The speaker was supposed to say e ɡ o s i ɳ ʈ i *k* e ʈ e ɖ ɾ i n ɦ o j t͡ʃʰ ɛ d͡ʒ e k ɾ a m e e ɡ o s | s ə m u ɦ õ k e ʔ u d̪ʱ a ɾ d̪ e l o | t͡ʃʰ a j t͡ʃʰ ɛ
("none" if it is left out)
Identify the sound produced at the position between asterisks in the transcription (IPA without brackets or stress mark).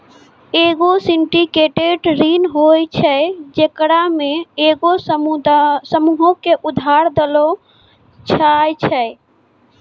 k